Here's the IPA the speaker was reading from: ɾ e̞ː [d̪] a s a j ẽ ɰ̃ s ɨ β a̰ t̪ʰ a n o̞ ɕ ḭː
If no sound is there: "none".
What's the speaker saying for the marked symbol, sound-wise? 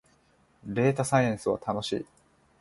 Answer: t̪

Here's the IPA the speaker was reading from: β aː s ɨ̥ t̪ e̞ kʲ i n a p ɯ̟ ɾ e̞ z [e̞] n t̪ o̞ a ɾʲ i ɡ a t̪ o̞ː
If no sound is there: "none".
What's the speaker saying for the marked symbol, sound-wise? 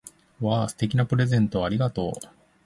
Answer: ẽ̞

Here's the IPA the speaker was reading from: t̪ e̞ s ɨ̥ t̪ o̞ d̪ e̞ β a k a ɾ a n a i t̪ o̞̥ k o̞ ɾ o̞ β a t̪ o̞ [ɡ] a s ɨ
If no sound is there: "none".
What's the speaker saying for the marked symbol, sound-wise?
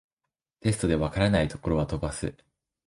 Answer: b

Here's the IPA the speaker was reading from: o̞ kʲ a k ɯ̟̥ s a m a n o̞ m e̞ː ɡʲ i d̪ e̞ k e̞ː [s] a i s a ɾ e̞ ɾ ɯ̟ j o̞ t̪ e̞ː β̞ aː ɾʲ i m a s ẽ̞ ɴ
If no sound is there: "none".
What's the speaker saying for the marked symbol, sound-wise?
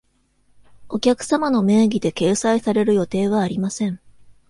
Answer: s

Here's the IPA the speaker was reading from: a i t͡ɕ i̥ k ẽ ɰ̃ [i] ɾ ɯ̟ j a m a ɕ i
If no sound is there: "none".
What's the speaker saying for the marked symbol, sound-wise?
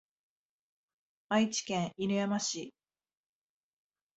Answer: i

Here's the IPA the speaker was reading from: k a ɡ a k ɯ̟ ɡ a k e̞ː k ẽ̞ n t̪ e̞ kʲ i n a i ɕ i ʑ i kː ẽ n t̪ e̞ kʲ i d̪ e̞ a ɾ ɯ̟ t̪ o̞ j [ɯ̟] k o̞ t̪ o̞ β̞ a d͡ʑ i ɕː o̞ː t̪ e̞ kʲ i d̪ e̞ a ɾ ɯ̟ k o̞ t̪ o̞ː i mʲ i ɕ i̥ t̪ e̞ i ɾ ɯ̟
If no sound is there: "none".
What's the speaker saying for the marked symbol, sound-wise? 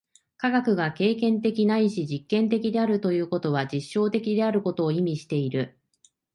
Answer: ɯ̟ː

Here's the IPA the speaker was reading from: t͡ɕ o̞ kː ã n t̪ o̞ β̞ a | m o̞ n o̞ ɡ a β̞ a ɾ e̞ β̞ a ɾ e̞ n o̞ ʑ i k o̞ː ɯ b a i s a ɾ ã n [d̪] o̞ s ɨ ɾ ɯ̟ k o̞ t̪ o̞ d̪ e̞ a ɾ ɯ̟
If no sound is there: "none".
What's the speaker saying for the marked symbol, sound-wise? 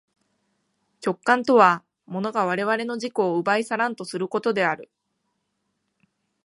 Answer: t̪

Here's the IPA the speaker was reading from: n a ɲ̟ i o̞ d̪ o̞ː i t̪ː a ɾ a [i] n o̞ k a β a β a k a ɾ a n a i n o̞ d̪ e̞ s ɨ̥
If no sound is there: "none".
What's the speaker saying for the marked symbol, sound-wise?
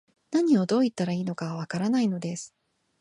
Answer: iː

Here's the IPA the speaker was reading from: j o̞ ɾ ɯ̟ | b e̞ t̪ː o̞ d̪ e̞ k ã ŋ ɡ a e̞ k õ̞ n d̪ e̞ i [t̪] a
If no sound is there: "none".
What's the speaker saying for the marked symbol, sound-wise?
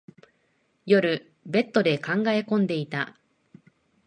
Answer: t̪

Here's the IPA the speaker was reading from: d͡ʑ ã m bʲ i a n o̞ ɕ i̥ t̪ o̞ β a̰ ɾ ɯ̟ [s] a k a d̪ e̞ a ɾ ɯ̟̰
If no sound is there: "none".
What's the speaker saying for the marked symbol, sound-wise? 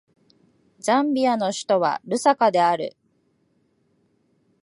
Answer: s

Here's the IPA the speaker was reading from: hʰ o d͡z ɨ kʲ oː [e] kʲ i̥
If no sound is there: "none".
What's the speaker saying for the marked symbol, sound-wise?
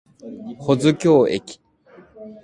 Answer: e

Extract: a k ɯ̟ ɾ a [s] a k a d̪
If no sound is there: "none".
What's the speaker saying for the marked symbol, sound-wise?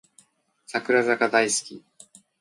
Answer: z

